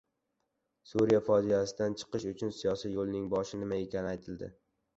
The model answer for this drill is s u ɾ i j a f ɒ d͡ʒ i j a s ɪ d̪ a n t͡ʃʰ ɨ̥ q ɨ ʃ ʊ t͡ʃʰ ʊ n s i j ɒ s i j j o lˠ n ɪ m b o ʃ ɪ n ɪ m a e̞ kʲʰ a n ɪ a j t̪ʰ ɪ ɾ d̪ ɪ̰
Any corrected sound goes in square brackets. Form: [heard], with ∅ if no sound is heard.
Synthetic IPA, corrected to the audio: s u ɾ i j a f ɒ d͡ʒ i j a s ɪ d̪ a n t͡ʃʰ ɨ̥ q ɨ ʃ ʊ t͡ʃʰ ʊ n s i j ɒ s i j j o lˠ n ɪ [ŋ] b [ɒ] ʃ ɪ n ɪ m a e̞ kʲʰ a n ɪ a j t̪ʰ ɪ [l] d̪ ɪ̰